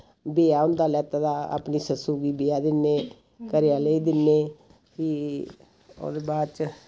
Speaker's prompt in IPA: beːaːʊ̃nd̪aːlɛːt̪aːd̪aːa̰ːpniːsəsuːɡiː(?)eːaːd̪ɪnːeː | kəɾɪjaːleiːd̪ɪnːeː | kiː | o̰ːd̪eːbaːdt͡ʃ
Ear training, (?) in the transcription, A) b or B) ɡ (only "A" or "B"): A